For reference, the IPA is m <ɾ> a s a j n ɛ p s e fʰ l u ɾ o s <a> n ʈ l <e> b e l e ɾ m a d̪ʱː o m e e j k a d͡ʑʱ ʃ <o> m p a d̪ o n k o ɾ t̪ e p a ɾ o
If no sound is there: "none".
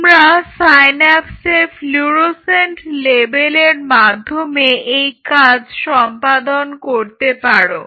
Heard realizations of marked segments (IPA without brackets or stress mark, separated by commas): ɾ, e, e, ɔ